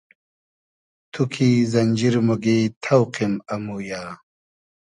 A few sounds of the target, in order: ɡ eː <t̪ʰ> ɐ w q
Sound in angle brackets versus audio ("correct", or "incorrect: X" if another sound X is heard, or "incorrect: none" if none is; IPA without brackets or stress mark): correct